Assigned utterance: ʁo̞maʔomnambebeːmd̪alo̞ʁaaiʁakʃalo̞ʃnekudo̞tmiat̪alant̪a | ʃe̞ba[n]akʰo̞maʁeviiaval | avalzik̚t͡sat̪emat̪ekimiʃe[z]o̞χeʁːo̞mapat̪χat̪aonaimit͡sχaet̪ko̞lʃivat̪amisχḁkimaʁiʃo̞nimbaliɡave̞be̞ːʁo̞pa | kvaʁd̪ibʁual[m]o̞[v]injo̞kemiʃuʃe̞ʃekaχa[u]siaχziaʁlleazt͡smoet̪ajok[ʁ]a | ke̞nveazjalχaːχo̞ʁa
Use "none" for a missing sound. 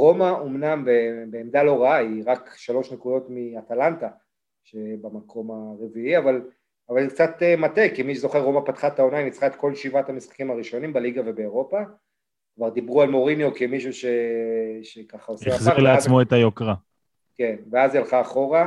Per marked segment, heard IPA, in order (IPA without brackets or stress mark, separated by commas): m, z, m, ʁ, o, ʁ